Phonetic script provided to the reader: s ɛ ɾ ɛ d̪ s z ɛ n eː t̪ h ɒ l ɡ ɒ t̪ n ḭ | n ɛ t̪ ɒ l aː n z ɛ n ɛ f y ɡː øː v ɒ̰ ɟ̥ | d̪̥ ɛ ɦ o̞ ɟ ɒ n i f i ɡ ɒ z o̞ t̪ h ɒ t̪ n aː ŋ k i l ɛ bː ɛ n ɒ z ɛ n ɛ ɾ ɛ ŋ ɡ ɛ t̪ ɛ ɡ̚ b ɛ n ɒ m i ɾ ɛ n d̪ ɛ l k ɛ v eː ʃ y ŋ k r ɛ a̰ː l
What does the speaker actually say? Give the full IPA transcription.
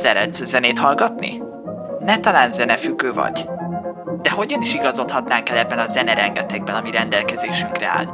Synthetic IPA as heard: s ɛ ɾ ɛ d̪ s z ɛ n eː t̪ h ɒ l ɡ ɒ t̪ n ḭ | n ɛ t̪ ɒ l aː n z ɛ n ɛ f y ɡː øː v ɒ̰ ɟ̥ | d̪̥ ɛ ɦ o̞ ɟ ɒ n i ʃ i ɡ ɒ z o̞ t̪ h ɒ t̪ n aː ŋ k ɛ l ɛ bː ɛ n ɒ z ɛ n ɛ ɾ ɛ ŋ ɡ ɛ t̪ ɛ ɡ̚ b ɛ n ɒ m i ɾ ɛ n d̪ ɛ l k ɛ z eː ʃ y ŋ k r ɛ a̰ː l